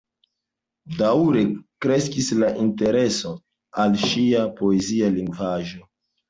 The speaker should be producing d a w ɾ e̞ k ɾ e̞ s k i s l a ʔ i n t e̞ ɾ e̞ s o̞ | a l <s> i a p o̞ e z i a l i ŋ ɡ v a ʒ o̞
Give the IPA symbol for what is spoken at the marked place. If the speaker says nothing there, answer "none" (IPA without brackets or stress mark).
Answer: ʃ